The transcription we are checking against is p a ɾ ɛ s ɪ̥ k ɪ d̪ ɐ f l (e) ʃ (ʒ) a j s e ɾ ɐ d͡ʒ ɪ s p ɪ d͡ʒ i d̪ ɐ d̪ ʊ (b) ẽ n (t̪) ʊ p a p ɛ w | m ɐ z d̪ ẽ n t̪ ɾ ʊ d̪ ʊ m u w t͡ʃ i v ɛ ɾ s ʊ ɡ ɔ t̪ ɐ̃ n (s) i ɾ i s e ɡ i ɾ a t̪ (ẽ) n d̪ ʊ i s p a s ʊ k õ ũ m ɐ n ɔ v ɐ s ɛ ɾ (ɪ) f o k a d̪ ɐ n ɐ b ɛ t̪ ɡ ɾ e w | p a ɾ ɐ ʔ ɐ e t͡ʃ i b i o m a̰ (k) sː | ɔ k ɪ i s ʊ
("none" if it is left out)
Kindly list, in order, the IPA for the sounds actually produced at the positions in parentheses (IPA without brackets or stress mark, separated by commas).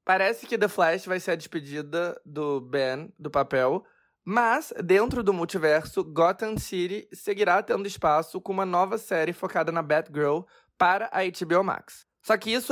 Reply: ɛ, v, b, d̪, s, ẽ, ɪ, k